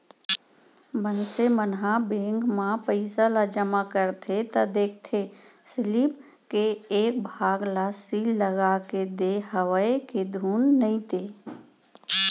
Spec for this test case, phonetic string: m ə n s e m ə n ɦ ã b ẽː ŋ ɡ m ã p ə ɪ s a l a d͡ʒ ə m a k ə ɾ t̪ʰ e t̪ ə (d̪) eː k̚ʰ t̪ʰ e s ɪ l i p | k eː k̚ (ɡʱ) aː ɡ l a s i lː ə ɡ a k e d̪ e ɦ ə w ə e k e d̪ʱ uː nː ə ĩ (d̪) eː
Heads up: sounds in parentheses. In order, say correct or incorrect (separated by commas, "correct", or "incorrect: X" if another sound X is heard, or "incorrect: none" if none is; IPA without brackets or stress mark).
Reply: correct, incorrect: bʱ, incorrect: t̪